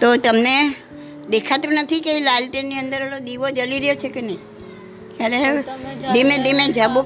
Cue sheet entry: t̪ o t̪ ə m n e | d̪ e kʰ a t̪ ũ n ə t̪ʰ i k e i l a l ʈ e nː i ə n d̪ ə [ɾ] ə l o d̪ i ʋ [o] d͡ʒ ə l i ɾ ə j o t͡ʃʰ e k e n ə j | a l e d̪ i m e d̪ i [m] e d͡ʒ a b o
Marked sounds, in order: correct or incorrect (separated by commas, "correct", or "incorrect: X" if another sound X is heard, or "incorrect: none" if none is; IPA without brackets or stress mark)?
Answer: correct, correct, correct